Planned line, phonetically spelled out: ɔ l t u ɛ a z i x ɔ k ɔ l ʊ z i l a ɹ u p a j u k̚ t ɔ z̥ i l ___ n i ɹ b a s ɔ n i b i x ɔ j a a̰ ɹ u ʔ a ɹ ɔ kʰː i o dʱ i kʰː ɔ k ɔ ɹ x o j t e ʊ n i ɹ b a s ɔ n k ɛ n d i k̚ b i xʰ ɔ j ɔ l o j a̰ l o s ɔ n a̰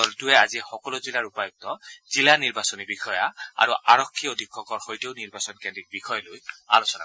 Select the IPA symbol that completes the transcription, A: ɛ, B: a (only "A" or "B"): B